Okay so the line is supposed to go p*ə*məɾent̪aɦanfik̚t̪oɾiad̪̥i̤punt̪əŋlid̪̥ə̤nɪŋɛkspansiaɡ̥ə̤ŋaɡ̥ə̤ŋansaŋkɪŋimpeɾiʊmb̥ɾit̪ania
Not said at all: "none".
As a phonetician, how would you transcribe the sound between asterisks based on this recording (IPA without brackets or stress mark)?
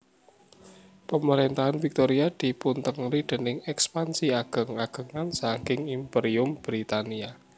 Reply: ə